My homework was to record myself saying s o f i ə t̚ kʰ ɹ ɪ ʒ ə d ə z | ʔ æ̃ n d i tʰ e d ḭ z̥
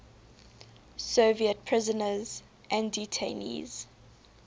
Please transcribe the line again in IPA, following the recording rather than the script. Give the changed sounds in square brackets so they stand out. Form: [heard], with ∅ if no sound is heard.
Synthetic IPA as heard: s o [v] i ə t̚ [pʰ] ɹ ɪ [z] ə [n] ə z | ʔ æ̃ n d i tʰ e [n] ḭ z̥